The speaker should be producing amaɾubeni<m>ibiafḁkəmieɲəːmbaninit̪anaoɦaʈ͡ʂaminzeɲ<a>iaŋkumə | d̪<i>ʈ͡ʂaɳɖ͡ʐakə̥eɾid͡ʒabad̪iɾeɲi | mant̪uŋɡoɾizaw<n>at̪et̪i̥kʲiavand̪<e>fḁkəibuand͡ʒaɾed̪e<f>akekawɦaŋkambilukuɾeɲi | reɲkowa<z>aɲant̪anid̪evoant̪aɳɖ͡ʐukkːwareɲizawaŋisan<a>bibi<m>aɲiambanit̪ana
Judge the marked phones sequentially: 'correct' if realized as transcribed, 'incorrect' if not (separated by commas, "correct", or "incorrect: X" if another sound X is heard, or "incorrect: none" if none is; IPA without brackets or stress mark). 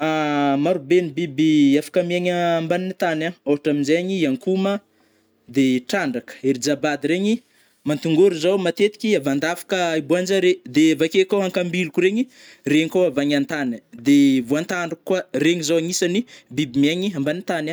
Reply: incorrect: b, incorrect: i, incorrect: e, incorrect: m, incorrect: a, incorrect: v, incorrect: v, incorrect: i, correct